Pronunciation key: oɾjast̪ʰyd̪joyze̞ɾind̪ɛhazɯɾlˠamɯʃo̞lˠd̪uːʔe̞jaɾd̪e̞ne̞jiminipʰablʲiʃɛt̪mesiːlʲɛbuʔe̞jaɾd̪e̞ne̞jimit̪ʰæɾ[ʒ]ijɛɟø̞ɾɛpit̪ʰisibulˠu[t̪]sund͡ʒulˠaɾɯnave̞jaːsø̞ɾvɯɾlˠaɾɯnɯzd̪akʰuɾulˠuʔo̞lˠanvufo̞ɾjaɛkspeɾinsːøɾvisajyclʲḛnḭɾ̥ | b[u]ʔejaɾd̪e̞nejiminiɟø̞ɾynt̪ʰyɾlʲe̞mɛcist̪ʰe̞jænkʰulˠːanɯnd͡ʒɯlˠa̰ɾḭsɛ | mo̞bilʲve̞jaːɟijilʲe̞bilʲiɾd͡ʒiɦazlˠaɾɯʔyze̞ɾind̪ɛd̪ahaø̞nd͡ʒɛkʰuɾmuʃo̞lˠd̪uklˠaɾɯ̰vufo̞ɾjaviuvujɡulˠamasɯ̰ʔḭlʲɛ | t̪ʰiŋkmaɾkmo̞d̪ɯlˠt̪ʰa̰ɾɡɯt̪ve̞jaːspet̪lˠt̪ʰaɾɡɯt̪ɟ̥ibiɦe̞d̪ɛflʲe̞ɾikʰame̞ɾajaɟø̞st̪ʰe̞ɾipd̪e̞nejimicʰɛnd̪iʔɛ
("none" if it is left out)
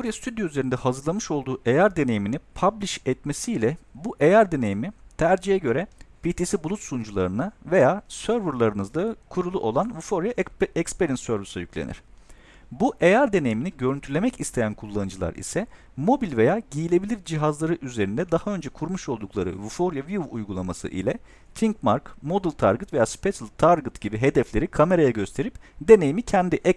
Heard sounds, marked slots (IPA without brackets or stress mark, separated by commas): d͡ʒ, t̪, u